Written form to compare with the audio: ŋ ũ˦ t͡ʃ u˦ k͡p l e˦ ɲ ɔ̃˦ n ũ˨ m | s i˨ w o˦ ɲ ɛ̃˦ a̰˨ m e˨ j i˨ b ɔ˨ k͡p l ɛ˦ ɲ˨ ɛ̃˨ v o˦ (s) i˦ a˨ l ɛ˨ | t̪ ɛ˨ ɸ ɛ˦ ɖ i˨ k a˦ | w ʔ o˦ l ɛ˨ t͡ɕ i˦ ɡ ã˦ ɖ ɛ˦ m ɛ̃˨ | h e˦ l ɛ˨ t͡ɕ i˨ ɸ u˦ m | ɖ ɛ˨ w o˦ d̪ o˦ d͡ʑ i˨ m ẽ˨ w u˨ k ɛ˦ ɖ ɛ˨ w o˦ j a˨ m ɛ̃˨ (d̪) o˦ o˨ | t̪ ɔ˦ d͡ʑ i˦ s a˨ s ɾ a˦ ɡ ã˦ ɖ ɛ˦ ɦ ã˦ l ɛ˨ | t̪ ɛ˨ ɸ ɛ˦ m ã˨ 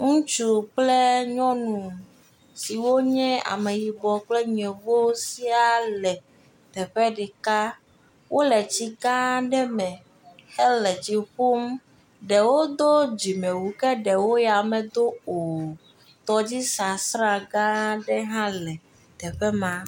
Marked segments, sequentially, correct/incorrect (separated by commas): correct, correct